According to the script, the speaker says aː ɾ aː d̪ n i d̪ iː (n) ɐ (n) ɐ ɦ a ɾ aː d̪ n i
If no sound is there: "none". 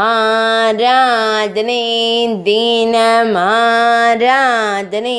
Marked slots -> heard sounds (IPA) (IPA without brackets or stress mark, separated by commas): n, m